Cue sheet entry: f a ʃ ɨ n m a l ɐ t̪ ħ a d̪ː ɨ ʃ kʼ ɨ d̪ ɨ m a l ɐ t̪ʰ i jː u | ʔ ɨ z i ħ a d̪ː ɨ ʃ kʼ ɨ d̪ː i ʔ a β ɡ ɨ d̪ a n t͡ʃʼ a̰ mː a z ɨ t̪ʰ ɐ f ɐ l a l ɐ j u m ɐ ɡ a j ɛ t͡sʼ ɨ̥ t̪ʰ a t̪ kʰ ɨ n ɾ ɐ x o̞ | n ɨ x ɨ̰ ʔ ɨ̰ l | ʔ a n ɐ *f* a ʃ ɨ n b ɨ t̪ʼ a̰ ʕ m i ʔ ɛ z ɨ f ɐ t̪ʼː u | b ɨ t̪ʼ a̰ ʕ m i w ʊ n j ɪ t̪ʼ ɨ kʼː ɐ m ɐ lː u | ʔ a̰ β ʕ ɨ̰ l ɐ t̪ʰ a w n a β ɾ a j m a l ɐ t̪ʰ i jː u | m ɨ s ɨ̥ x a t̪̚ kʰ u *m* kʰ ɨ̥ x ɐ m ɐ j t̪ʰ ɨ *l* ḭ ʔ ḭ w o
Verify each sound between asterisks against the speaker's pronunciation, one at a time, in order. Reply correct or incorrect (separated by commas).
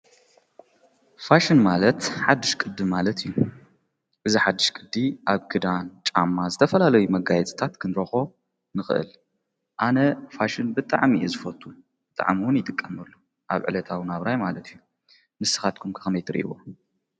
correct, correct, incorrect